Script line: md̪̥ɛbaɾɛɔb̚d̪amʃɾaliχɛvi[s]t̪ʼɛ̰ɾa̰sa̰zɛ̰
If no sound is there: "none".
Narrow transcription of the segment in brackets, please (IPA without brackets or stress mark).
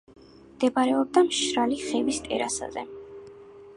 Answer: s